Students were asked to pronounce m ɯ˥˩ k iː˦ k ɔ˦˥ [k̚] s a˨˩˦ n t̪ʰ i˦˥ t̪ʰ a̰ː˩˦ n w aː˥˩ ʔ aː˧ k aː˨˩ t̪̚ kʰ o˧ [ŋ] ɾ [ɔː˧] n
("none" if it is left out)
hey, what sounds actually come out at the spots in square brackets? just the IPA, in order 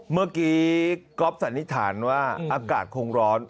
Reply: p̚, ŋ, ɔː˦˥

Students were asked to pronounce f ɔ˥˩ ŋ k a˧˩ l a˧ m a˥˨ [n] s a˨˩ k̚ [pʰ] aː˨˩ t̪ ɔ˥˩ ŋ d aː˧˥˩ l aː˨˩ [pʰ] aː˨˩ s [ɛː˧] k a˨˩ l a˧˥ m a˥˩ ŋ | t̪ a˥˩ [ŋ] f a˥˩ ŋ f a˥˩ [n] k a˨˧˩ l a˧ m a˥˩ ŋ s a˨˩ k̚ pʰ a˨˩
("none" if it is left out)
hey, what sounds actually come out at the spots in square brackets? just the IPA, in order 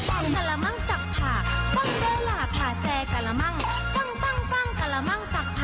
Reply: ŋ, pʰ, pʰ, ɛː˧, ŋ, ŋ

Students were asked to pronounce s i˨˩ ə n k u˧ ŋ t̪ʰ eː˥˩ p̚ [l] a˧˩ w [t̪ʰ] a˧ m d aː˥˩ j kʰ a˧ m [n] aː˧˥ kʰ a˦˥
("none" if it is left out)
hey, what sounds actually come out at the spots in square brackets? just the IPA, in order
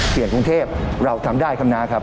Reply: ɾ, t̪ʰ, n

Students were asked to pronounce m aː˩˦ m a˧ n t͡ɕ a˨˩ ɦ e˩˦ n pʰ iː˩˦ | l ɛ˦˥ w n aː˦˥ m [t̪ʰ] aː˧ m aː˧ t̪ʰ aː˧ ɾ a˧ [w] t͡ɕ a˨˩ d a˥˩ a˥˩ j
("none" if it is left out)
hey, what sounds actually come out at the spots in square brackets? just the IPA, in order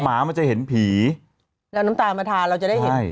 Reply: t̪, w

